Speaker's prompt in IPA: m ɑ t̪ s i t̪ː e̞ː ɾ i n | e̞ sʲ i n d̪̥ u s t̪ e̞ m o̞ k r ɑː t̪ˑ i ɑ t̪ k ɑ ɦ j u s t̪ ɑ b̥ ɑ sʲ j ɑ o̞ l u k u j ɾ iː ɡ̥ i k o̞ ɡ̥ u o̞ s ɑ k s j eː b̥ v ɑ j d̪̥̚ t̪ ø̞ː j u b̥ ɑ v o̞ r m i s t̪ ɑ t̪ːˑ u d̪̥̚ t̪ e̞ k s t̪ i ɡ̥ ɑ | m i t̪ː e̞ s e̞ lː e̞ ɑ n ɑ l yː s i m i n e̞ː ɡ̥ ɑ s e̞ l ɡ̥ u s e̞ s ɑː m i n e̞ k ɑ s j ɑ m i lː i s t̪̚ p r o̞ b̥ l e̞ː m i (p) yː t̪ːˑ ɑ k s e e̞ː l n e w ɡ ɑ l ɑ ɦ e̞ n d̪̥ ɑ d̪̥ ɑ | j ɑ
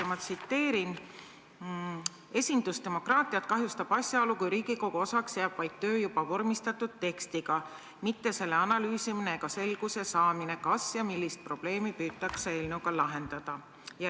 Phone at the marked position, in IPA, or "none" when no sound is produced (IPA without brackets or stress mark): p